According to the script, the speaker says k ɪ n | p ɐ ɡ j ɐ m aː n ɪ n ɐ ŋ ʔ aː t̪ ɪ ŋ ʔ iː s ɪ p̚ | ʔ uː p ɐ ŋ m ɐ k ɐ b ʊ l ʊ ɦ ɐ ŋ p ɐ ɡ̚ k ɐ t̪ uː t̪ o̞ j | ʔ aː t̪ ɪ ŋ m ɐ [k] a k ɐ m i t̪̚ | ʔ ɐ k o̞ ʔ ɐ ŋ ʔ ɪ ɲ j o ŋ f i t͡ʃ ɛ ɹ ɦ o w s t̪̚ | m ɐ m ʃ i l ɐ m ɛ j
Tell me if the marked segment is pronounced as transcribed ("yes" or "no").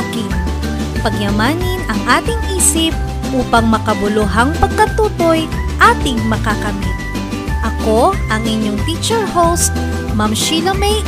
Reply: yes